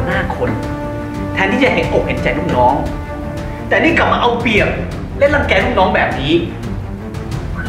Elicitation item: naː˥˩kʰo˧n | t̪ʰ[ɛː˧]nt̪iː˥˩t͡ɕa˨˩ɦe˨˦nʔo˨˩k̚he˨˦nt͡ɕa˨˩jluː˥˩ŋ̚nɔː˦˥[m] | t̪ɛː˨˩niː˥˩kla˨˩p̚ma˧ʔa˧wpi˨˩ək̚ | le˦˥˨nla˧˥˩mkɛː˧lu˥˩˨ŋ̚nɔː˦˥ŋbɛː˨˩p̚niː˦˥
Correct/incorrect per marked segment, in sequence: correct, incorrect

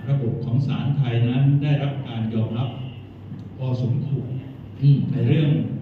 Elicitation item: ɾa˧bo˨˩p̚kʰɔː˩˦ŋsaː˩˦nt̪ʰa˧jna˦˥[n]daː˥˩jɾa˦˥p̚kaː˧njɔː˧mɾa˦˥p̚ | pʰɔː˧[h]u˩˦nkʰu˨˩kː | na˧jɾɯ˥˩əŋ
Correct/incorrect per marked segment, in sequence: correct, incorrect

